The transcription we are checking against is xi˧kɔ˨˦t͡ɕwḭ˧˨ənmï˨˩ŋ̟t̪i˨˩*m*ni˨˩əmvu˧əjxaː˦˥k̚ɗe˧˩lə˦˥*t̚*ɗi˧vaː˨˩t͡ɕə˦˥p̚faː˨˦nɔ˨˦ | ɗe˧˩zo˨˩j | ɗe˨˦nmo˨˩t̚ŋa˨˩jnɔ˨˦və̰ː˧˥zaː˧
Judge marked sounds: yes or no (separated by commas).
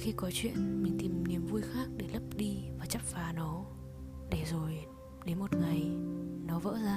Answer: yes, no